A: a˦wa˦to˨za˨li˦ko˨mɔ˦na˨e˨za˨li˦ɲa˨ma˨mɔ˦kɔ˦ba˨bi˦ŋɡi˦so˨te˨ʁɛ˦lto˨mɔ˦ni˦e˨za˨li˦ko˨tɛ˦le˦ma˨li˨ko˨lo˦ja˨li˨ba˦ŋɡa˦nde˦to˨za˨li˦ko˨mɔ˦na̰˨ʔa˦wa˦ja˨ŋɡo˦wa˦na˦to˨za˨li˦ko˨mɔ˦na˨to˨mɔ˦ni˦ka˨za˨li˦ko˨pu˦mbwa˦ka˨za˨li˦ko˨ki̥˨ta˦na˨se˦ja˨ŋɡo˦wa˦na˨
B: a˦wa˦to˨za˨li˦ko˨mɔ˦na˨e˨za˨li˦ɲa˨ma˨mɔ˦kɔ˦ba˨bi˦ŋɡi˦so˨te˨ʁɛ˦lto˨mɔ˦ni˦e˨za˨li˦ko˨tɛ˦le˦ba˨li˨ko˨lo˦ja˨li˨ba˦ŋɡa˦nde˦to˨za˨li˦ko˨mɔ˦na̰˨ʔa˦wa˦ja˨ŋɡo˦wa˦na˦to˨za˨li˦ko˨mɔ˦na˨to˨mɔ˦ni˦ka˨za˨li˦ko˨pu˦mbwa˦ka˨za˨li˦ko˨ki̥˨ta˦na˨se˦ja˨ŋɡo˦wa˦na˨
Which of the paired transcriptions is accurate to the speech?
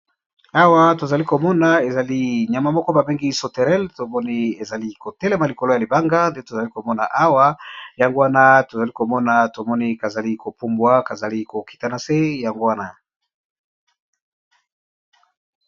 A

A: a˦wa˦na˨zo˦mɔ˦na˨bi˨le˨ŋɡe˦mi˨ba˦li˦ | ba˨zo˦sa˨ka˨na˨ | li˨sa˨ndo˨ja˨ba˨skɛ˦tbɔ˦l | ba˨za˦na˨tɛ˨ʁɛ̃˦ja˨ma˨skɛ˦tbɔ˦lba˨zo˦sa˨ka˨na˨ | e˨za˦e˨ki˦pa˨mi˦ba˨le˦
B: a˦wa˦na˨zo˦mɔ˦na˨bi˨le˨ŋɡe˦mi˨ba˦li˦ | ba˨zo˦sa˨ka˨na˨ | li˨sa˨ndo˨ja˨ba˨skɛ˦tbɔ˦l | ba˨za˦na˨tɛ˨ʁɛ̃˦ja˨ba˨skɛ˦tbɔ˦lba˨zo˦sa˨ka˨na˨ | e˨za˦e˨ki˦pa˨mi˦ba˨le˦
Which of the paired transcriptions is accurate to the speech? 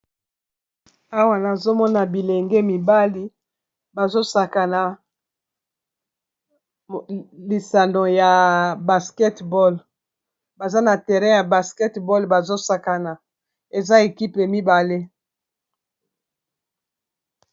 B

